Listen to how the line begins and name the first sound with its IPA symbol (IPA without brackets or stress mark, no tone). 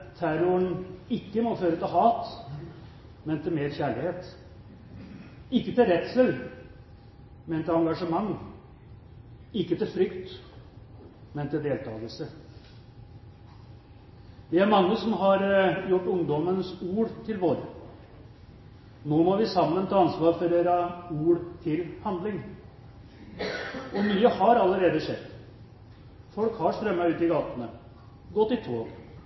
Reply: t̪ʰ